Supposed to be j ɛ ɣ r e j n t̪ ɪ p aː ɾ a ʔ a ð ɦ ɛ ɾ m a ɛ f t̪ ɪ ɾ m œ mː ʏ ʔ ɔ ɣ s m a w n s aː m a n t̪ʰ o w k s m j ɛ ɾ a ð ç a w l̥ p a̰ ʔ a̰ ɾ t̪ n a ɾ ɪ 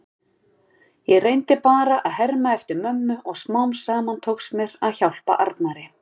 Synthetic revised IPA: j ɛ ɣ r e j n t̪ ɪ p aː ɾ a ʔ a ð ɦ ɛ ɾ m a ɛ f t̪ ɪ ɾ m œ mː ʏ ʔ ɔ ɣ s m a w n s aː m a n t̪ʰ o w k s m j ɛ ɾ a ð ç a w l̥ p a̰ ʔ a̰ ɾ t̪ n a ɾ ɪ